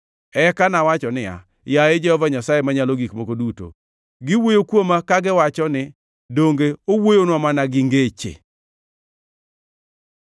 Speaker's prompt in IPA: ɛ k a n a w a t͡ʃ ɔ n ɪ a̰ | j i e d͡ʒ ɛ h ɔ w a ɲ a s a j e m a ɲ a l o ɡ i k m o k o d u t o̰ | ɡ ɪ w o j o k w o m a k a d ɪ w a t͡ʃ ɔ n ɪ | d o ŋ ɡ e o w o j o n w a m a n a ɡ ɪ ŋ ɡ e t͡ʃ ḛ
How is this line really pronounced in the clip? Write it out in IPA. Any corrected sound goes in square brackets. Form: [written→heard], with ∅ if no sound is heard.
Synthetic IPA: ɛ k a n a w a t͡ʃ ɔ n ɪ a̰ | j [i→a] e d͡ʒ ɛ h ɔ [w→v] a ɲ a s a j e m a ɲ a l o ɡ i k m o k o d u t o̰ | ɡ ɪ w o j o k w o m a k a [d→ɡ] ɪ w a t͡ʃ ɔ n ɪ | d o ŋ ɡ e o w o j o n w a m a n a ɡ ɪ ŋ ɡ e t͡ʃ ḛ